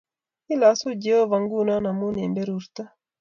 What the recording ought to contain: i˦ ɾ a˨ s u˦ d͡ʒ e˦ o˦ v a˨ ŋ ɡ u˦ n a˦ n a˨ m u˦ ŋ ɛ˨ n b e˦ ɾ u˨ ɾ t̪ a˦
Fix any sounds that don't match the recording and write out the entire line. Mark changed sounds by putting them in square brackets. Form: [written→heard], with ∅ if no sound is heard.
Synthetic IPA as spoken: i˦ [ɾ→l] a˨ s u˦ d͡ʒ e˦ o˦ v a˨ ŋ ɡ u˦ n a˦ n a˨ m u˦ [ŋ→n] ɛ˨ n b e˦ ɾ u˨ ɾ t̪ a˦